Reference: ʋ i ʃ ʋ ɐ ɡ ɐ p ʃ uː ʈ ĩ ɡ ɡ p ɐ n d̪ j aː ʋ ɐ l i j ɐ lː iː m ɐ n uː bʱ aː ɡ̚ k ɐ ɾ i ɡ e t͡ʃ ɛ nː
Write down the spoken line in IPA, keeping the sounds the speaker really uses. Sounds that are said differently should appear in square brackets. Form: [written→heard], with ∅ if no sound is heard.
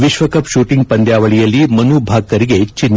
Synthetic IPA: ʋ i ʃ ʋ ɐ [ɡ→k] ɐ p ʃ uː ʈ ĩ [ɡ→ŋ] ɡ p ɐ n d̪ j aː ʋ ɐ [l→ɭ] i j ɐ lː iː m ɐ n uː bʱ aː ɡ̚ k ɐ ɾ i ɡ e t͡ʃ [ɛ→i] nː